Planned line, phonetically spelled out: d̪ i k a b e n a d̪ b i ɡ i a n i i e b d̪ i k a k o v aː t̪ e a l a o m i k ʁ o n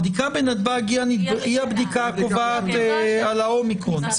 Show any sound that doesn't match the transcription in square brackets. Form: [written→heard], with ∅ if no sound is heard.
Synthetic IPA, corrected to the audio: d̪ i k a b e n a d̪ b [i→a] ɡ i a n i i [e→a] b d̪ i k a k o v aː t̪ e a l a o m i k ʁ o n